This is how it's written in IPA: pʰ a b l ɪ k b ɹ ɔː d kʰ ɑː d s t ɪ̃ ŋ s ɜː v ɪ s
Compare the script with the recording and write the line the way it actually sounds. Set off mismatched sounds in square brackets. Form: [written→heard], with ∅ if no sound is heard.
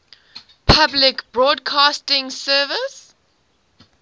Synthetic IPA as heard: pʰ a b l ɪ k b ɹ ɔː d kʰ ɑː [d→∅] s t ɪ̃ ŋ s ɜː v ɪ s